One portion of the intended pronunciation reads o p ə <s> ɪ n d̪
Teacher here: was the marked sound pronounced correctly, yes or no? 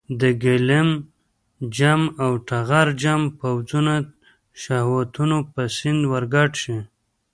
yes